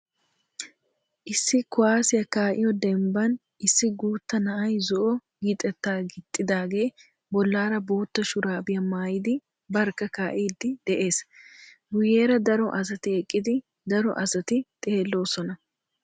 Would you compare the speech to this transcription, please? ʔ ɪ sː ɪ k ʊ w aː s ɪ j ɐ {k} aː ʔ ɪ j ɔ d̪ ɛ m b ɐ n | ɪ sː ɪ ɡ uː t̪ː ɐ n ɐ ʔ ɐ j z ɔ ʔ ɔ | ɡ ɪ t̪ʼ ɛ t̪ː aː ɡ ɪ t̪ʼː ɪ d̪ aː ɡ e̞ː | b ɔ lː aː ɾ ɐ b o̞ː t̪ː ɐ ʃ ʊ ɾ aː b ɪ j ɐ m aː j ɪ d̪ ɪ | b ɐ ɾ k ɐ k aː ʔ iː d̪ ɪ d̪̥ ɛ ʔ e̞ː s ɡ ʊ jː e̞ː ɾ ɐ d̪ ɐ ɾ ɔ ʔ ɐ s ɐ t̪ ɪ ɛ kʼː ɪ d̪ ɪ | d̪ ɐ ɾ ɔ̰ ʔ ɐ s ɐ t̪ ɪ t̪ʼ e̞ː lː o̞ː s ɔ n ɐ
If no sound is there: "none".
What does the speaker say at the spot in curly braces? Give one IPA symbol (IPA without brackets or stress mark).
k